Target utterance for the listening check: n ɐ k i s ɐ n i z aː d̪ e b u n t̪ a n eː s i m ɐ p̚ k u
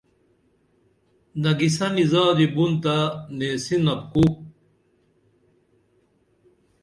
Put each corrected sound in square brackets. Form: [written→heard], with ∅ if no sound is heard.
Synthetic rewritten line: n ɐ [k→ɡ] i s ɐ n i z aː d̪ [e→i] b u n t̪ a n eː s i [m→n] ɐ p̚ k u